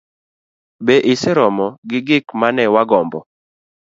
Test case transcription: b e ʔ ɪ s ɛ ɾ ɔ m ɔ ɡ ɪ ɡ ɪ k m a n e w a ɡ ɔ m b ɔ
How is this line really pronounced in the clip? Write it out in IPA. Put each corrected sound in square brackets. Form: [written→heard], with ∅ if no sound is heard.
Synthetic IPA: b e ʔ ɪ s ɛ ɾ ɔ m ɔ ɡ ɪ ɡ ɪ k m a n [e→ɛ] w a ɡ ɔ m b ɔ